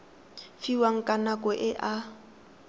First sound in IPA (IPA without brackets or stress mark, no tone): f